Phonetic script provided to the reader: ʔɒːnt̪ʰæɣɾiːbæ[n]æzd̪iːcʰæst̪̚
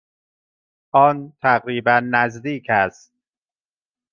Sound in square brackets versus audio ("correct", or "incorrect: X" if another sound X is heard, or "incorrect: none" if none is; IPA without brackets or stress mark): incorrect: nː